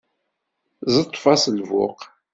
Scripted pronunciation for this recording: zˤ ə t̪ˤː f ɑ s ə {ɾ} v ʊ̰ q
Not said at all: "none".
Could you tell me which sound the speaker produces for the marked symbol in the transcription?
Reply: l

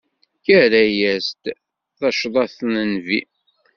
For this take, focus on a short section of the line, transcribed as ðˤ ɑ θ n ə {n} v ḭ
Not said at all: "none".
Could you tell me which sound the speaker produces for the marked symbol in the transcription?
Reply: n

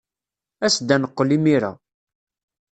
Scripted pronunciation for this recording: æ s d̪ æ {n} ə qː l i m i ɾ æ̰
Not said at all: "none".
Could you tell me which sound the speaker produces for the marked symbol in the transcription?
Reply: n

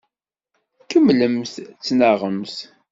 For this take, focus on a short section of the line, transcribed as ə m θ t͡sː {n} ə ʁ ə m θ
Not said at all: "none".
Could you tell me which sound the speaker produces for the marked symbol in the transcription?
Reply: n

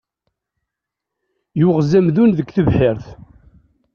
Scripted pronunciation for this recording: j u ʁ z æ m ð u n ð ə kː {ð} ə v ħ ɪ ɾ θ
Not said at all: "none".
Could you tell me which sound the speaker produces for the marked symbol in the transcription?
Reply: θ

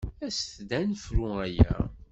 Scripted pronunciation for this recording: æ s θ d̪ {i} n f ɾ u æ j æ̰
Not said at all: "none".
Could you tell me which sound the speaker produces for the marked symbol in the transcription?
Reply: æ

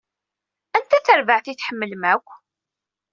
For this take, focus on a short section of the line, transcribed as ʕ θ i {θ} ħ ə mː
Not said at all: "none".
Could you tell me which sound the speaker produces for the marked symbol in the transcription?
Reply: θ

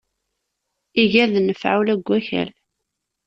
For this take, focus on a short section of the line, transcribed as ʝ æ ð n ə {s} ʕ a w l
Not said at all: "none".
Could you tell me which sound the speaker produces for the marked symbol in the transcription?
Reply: f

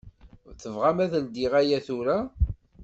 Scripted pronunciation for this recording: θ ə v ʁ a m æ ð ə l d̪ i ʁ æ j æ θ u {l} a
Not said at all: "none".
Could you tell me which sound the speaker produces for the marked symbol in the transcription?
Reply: ɾ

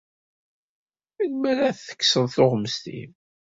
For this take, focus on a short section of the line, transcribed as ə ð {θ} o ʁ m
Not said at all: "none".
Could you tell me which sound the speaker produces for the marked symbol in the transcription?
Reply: θ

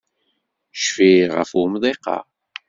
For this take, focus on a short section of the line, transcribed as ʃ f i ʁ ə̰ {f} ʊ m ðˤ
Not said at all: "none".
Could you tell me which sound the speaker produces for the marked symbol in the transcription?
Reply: f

